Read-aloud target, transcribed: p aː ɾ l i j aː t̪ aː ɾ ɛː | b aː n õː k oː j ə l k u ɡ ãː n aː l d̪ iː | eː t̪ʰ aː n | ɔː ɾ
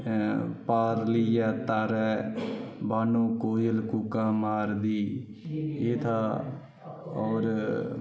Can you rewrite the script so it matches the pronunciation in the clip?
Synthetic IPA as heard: p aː ɾ l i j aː t̪ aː ɾ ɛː | b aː n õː k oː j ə l k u k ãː m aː ɾ d̪ iː | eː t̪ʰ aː | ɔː ɾ